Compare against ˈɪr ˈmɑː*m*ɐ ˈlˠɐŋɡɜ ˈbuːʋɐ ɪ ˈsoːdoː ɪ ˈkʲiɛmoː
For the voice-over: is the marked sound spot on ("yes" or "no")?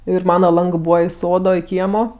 no